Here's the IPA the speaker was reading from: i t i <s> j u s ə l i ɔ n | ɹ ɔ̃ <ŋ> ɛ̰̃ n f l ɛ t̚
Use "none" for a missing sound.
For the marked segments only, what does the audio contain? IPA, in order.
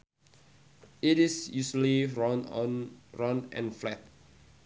s, n

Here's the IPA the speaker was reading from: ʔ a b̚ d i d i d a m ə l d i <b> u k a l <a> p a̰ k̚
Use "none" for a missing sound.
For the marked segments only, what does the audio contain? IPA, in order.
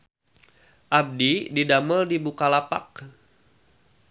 b, a

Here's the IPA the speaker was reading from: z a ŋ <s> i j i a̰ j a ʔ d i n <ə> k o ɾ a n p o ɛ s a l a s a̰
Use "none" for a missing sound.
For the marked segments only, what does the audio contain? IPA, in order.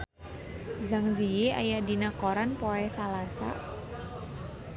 z, a

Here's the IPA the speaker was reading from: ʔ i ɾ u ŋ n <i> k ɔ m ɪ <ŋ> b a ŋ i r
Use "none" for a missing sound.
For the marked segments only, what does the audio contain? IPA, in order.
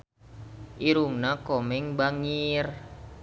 a, ŋ

